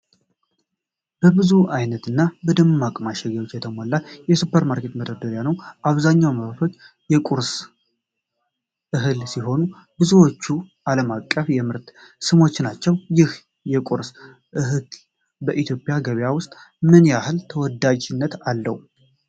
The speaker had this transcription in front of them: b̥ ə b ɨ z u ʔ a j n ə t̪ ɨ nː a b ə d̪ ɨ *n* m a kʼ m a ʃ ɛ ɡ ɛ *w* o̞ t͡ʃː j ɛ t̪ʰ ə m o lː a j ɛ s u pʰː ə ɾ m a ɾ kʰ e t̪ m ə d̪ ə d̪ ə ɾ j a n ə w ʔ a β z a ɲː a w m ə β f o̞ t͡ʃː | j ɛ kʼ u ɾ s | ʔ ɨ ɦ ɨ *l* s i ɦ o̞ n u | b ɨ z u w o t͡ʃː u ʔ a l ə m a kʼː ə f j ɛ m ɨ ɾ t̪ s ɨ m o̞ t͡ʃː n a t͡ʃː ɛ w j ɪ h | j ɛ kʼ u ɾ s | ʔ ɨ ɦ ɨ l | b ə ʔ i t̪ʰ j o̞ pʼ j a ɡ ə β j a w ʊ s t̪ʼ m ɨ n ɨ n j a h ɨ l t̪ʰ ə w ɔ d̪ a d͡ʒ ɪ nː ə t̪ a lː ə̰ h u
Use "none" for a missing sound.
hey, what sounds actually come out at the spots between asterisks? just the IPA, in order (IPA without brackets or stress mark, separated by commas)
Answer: m, w, l